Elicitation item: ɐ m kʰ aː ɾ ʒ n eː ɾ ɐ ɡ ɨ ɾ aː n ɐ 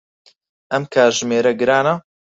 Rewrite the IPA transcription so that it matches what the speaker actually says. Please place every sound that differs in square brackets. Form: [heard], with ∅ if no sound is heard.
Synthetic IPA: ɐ m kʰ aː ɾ ʒ [m] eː ɾ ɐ ɡ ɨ ɾ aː n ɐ

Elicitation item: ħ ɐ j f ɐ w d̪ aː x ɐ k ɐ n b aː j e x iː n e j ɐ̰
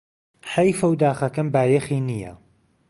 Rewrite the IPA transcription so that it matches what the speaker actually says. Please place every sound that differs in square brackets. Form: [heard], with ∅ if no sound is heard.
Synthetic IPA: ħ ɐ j f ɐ w d̪ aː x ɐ k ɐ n b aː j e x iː n [i] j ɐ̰

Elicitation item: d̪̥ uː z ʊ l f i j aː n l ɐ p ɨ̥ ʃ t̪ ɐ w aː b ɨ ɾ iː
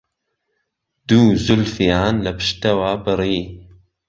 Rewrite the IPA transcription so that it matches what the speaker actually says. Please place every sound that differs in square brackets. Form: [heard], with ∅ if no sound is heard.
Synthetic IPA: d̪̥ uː z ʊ l f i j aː n l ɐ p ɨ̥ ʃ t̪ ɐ w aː b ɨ ɾ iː

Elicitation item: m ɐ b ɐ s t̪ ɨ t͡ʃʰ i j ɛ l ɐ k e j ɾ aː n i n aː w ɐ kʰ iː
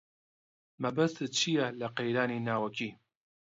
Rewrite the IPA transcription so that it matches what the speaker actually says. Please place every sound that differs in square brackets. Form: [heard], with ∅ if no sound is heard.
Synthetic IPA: m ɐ b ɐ s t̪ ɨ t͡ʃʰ i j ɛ l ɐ [q] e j ɾ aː n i n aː w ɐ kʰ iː

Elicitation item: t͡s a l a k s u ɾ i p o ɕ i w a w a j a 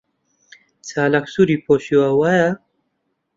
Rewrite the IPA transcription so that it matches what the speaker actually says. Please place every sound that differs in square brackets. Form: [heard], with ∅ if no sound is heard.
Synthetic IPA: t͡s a l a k s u ɾ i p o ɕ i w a w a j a

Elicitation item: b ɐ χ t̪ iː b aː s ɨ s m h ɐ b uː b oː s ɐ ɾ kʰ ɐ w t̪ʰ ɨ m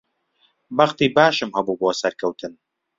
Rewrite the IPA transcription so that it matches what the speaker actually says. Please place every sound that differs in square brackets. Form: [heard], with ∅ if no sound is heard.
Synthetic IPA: b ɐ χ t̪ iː b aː [ʃ] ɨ [∅] m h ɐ b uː b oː s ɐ ɾ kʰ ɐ w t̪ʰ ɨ [n]

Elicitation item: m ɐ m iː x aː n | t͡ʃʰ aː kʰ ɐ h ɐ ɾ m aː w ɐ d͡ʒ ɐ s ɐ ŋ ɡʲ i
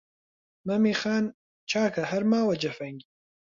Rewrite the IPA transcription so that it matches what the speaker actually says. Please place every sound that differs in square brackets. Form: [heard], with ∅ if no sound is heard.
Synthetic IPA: m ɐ m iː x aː n | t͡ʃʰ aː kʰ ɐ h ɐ ɾ m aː w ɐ d͡ʒ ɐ [f] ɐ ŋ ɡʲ i

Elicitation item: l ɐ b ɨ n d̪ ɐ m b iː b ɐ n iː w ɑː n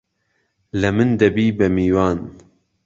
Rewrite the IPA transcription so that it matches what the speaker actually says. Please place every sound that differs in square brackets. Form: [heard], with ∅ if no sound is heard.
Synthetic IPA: l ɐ [m] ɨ n d̪ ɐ [∅] b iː b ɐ [m] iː w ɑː n

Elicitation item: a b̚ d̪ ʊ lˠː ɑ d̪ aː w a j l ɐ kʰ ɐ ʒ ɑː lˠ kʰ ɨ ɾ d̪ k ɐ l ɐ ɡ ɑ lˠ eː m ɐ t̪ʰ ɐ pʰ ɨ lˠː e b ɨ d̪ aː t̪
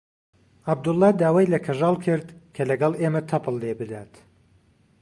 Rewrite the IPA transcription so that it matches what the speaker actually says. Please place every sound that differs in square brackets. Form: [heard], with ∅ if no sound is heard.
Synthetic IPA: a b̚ d̪ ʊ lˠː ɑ d̪ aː w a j l ɐ kʰ ɐ ʒ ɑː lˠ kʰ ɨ ɾ d̪ [kʰ] ɐ l ɐ ɡ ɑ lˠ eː m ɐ t̪ʰ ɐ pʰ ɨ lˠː e b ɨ d̪ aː t̪

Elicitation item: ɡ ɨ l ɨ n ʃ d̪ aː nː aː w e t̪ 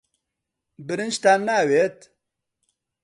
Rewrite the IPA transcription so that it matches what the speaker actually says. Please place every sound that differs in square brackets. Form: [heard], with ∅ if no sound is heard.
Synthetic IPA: [b] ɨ [ɾ] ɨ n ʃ [t̪] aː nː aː w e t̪

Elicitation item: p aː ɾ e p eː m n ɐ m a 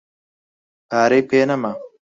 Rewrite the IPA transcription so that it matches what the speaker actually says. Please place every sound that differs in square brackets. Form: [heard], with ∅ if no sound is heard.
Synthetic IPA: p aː ɾ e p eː [∅] n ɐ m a

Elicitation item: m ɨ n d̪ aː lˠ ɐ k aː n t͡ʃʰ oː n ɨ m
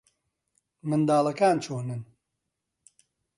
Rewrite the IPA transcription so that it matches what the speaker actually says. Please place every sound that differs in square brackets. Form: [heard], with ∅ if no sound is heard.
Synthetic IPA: m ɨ n d̪ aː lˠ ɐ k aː n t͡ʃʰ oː n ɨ [n]

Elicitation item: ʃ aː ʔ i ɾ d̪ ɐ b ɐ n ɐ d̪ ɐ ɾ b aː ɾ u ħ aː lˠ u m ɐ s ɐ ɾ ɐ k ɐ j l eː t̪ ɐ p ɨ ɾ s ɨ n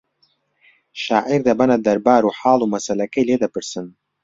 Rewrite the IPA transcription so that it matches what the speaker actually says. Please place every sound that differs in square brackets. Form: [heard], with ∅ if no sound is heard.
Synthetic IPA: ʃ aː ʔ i ɾ d̪ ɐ b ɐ n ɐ d̪ ɐ ɾ b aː ɾ u ħ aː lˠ u m ɐ s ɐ [l] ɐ k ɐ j l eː [d̪] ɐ p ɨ ɾ s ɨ n

